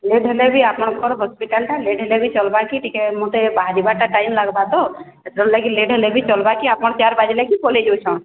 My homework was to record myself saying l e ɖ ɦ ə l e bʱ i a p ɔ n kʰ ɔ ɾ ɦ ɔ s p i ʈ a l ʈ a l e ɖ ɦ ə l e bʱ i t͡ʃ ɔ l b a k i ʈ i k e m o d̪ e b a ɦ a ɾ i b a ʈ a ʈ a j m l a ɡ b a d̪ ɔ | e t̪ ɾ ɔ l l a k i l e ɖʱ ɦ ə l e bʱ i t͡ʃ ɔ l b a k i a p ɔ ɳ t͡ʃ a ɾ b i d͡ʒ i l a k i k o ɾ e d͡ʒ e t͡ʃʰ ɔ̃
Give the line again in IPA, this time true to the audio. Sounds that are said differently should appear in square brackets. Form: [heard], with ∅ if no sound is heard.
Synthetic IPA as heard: l e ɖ ɦ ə l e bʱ i a p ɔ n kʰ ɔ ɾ ɦ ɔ s p i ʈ a l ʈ a l e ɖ ɦ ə l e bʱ i t͡ʃ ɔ l b a k i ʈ i k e m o [t̪] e b a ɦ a ɾ i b a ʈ a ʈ a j m l a ɡ b a d̪ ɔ | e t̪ ɾ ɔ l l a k i l e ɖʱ ɦ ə l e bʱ i t͡ʃ ɔ l b a k i a p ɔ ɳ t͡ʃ a ɾ b [a] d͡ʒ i l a k i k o [l] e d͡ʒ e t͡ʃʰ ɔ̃